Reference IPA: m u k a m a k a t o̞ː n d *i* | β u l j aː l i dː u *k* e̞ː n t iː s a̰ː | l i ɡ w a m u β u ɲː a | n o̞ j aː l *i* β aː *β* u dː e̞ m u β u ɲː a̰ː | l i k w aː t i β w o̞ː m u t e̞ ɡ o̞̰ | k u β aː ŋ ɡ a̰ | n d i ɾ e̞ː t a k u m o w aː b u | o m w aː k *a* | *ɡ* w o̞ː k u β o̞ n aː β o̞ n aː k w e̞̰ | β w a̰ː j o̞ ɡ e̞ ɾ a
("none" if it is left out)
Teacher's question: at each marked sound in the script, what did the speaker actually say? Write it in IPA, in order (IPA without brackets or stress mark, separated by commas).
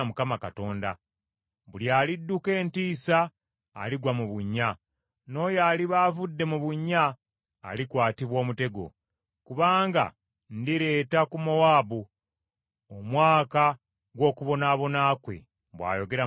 a, k, i, v, a, ɡ